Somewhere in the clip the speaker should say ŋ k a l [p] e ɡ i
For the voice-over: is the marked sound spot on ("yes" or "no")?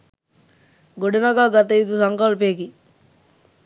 yes